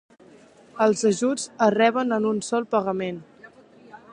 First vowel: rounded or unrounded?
unrounded